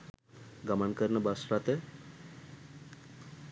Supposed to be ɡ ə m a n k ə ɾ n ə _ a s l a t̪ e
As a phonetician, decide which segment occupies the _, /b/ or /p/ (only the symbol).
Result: b